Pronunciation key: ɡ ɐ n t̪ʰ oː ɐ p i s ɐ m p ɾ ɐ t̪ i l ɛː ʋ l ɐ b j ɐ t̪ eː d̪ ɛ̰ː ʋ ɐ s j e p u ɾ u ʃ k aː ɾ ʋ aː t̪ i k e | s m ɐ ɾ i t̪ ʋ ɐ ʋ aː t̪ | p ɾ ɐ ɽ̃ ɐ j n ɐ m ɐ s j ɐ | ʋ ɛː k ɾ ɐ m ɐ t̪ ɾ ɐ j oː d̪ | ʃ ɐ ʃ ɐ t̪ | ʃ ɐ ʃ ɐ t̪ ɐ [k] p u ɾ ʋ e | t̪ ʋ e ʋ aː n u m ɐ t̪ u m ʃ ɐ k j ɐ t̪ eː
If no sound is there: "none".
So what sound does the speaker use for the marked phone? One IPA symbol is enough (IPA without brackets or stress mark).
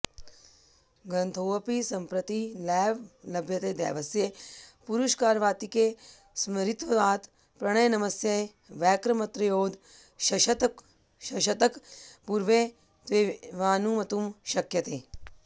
k